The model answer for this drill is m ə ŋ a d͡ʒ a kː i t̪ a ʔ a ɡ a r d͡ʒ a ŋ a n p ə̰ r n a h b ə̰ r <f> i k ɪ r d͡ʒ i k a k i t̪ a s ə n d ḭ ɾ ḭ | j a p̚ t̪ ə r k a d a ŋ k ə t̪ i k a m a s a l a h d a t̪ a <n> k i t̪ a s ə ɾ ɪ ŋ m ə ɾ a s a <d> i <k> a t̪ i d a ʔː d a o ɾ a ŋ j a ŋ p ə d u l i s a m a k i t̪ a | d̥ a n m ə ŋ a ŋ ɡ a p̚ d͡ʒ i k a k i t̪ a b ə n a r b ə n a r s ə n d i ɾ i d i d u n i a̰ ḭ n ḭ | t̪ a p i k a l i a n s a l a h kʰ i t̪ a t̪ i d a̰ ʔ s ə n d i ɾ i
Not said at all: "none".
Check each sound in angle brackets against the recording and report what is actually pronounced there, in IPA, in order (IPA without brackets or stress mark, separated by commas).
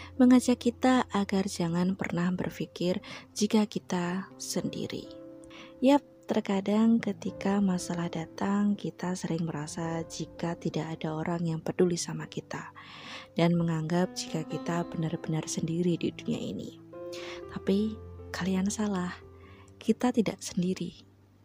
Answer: f, ŋ, d͡ʒ, k